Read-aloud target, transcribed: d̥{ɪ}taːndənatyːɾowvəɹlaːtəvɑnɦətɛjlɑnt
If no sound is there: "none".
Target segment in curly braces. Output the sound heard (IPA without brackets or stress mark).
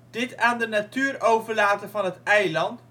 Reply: ɪ